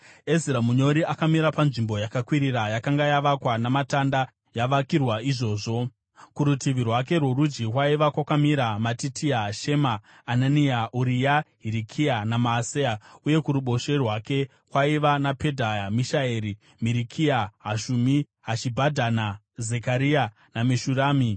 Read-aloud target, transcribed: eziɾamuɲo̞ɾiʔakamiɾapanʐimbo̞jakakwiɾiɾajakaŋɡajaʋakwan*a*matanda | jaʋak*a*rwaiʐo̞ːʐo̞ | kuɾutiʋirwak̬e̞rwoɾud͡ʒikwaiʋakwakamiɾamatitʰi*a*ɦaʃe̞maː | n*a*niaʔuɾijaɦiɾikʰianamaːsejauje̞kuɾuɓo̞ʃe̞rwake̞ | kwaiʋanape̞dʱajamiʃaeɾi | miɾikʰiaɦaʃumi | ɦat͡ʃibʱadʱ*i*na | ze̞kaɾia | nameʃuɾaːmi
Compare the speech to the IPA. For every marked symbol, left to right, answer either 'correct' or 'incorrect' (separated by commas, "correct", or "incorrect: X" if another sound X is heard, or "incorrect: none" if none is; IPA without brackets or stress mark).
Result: correct, incorrect: i, correct, correct, incorrect: a